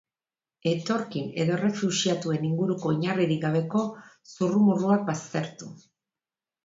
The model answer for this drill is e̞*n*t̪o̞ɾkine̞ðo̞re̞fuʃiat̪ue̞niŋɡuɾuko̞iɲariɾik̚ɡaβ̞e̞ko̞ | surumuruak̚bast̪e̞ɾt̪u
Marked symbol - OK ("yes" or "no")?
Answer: no